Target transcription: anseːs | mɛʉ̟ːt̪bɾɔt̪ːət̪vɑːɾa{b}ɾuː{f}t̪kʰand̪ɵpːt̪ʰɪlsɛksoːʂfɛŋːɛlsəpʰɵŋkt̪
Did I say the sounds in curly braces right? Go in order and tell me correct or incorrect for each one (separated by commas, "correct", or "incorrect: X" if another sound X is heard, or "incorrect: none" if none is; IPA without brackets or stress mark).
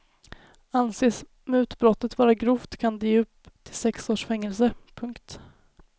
incorrect: ɡ, correct